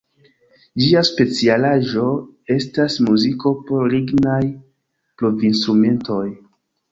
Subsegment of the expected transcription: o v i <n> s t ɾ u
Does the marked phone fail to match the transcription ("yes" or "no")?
no